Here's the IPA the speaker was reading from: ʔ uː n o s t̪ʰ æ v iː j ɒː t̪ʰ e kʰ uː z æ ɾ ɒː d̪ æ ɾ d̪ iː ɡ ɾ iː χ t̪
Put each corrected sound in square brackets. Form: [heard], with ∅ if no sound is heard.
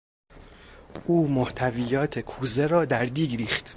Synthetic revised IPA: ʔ uː [m] o [h] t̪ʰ æ v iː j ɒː t̪ʰ e kʰ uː z [e] ɾ ɒː d̪ æ ɾ d̪ iː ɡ ɾ iː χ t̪